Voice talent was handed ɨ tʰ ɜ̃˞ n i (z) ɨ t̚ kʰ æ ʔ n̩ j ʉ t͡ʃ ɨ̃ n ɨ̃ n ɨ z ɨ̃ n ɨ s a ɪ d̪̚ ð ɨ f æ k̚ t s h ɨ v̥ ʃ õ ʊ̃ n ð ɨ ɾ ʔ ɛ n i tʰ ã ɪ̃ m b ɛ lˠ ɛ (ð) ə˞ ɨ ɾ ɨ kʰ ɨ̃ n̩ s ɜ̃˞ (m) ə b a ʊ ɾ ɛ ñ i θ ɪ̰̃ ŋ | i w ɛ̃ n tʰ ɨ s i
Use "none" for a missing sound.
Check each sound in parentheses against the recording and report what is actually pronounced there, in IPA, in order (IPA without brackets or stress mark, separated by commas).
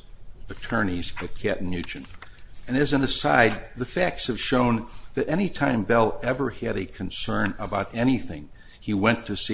z, v, n